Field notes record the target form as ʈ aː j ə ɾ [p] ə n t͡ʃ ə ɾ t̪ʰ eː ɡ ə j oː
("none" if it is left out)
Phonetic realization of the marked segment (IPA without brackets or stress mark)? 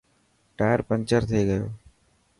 p